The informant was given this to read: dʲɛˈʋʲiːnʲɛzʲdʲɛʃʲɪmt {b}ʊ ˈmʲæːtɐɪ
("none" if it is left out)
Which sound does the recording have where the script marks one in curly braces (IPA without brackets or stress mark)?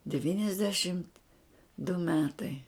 d